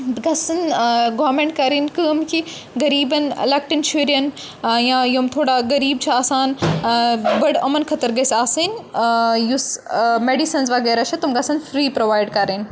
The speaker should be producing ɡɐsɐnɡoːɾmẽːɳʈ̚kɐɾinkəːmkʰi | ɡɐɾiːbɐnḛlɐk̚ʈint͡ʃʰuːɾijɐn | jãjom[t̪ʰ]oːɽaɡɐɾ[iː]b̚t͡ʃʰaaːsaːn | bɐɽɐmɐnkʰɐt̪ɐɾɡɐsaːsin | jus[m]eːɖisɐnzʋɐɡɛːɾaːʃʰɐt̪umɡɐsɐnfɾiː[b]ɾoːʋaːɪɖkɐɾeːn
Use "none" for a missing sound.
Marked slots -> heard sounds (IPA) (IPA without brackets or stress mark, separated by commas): t̪ʰ, iː, m, p